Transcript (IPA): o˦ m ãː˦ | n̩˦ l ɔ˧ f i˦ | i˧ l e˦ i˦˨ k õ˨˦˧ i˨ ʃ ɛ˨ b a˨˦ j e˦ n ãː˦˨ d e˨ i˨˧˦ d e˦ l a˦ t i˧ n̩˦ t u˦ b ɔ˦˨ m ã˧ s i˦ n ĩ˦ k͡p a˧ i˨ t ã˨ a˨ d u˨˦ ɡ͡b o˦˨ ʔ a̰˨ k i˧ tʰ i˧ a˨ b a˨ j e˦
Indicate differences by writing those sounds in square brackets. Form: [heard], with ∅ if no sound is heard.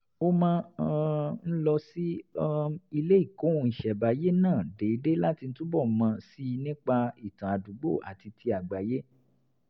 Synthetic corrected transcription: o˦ m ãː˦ | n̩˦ l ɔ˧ [s] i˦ | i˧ l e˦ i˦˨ k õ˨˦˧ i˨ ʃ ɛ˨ b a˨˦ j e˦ n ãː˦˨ d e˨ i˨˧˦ d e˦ l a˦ t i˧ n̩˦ t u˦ b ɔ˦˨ m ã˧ s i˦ n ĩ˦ k͡p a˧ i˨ t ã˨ a˨ d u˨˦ ɡ͡b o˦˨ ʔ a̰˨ [t] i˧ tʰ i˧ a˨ [ɡ͡b] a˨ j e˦

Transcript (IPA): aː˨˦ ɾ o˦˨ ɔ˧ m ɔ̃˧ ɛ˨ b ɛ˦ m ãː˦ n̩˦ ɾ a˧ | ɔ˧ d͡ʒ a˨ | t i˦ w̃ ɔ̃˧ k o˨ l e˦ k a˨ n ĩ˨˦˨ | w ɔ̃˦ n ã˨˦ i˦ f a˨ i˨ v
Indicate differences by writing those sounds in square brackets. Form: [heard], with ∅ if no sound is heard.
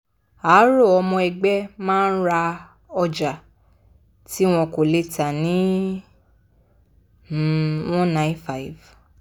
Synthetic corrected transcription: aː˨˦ ɾ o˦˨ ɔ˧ m ɔ̃˧ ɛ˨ [ɡ͡b] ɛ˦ m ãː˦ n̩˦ ɾ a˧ | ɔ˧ d͡ʒ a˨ | t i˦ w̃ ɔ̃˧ k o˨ l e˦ [t] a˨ n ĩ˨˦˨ | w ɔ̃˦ n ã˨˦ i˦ f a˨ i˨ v

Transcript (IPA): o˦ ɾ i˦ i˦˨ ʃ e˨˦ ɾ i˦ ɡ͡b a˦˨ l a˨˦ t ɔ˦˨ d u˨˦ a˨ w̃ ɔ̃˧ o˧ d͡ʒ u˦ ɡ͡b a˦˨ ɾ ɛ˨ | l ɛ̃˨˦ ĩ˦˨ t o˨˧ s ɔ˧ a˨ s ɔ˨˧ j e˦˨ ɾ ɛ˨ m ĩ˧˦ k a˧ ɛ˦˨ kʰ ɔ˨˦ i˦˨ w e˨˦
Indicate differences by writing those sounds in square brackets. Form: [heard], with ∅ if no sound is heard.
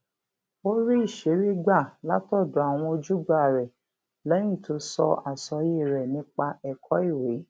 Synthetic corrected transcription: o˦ ɾ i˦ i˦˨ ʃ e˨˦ ɾ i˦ ɡ͡b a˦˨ l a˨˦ t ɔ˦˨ d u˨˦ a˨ w̃ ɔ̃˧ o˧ d͡ʒ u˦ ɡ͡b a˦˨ ɾ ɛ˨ | l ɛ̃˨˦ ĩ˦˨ t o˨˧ s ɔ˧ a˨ s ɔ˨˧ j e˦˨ ɾ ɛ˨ [n] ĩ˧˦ [k͡p] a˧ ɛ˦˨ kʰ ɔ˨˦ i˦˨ w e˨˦

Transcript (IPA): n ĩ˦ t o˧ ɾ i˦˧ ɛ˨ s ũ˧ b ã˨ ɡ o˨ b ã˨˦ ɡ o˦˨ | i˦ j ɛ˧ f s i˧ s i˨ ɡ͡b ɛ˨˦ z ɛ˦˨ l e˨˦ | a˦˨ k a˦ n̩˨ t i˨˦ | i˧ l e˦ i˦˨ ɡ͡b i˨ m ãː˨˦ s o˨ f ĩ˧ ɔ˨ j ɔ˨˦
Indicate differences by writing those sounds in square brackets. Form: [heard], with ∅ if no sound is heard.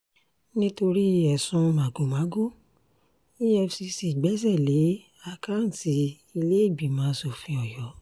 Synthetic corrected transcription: n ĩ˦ t o˧ ɾ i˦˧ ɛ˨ s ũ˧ [m] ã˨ ɡ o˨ [m] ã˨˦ ɡ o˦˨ | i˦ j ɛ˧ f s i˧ s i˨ ɡ͡b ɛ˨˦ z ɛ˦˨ l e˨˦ | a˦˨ k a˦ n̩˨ t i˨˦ | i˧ l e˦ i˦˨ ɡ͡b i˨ m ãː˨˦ s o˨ f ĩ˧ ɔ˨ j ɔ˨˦

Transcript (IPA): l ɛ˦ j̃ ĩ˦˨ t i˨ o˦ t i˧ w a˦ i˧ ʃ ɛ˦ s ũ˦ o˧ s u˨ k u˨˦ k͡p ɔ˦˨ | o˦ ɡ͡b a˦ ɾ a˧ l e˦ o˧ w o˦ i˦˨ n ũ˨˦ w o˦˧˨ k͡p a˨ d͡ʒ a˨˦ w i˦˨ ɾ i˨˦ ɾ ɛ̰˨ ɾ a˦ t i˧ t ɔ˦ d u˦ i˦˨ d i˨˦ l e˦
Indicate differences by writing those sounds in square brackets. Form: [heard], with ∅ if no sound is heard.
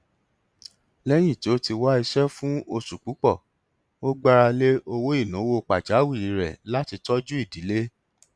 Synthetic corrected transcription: l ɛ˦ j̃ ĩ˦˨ t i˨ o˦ t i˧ w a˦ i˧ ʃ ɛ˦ [f] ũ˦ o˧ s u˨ [k͡p] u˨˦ k͡p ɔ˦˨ | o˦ ɡ͡b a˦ ɾ a˧ l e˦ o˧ w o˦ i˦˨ n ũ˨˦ w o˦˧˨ k͡p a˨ d͡ʒ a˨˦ w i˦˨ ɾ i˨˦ ɾ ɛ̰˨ [l] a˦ t i˧ t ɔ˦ [d͡ʒ] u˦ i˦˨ d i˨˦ l e˦

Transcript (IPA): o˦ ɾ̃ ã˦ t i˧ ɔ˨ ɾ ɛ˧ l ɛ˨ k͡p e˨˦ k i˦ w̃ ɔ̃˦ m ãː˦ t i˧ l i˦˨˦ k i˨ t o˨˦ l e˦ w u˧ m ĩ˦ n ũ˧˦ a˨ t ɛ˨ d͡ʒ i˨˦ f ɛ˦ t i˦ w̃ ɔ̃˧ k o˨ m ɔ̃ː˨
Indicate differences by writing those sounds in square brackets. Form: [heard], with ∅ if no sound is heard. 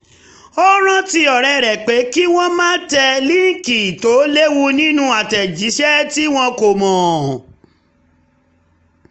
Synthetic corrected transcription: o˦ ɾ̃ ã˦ t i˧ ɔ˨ ɾ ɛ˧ [ɾ] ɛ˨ k͡p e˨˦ k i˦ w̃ ɔ̃˦ m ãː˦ t [ɛ˧] l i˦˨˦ k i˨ t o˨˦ l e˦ w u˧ [n] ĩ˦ n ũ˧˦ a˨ t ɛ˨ d͡ʒ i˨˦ [ʃ] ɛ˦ t i˦ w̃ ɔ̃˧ k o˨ m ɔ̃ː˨

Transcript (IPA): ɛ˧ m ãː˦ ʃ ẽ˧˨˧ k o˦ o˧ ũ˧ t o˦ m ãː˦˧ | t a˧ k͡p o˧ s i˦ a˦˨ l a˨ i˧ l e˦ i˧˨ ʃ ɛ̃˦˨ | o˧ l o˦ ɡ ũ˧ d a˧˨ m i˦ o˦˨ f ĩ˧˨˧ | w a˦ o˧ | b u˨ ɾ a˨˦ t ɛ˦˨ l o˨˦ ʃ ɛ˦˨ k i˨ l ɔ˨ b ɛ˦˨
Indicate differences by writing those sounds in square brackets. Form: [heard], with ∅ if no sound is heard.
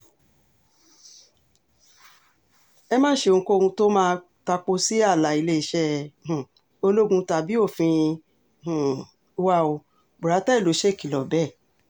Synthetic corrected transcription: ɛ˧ m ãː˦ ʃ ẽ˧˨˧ k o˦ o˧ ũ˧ t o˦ m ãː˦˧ | t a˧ k͡p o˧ s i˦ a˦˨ l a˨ i˧ l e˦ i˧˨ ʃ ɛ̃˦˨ | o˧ l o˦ ɡ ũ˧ [t] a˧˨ [b] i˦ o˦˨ f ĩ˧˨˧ | w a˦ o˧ | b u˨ ɾ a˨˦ t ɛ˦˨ l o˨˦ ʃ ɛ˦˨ k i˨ l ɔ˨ b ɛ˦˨

